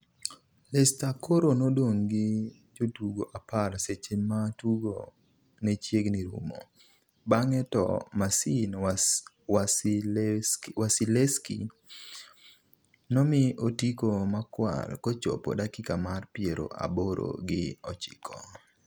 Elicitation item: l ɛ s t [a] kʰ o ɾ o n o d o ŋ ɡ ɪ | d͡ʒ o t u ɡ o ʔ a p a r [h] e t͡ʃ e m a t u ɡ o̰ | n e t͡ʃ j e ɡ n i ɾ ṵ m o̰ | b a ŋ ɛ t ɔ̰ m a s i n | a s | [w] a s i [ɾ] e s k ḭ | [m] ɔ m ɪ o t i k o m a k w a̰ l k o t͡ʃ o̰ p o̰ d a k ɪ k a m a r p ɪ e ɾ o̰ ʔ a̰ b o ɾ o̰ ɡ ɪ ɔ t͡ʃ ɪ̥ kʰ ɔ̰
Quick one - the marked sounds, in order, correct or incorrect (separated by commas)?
correct, incorrect, correct, incorrect, incorrect